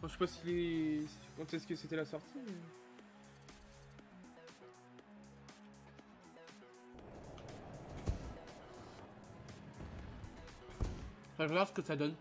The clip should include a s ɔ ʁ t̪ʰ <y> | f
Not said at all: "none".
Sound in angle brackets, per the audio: i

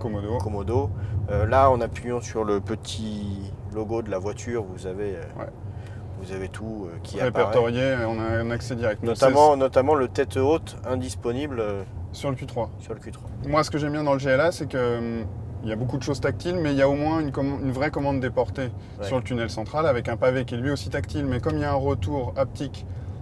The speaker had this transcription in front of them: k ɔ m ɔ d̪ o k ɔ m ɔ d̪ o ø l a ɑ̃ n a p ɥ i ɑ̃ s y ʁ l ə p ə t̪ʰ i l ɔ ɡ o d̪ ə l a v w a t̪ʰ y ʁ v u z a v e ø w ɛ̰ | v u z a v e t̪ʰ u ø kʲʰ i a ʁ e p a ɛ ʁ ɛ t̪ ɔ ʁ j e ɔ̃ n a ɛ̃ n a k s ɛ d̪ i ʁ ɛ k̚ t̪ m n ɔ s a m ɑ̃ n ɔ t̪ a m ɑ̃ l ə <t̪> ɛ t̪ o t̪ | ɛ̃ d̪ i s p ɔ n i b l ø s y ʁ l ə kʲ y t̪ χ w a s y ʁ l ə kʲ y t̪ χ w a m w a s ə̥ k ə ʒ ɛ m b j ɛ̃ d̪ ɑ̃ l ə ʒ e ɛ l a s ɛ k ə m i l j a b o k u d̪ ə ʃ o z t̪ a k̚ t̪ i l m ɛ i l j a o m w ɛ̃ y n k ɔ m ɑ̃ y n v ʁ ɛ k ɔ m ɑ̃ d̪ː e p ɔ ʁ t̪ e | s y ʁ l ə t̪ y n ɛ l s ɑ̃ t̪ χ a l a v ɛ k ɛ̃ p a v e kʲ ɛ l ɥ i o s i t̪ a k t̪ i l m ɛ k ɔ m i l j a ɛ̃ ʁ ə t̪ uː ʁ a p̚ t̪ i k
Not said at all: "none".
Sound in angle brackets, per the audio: t̪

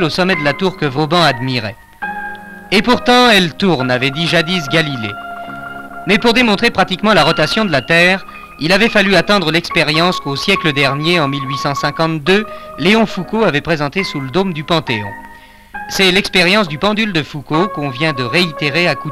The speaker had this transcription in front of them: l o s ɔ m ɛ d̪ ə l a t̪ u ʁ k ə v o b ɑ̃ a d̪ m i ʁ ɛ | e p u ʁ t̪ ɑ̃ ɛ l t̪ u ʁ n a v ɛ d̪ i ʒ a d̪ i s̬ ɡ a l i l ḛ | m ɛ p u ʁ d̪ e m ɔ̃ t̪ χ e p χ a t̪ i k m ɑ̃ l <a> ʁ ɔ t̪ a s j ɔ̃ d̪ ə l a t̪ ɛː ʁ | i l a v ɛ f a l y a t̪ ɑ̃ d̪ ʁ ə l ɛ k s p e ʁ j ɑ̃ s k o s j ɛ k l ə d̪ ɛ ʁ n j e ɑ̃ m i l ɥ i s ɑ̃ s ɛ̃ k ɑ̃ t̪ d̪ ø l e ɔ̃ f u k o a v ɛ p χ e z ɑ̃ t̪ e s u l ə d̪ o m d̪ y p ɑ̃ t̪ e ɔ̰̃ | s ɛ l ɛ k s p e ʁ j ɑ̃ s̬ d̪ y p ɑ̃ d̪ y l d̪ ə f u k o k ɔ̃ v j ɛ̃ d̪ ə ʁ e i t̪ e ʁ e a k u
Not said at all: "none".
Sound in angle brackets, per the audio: a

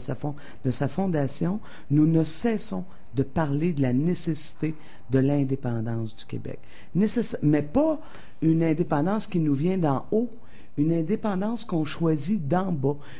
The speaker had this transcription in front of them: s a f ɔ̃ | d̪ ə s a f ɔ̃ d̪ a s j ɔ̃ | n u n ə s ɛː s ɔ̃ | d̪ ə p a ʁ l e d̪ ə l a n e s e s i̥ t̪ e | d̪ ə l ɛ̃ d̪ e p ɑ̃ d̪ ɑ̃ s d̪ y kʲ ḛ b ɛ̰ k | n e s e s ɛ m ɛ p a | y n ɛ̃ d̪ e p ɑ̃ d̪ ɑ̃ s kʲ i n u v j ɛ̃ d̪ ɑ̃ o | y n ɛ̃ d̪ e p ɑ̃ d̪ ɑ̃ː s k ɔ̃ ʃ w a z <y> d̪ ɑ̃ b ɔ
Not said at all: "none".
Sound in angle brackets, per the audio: i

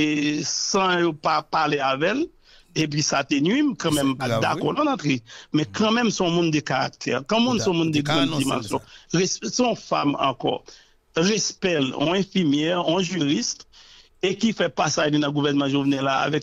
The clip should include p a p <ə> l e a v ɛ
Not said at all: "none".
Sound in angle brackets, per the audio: a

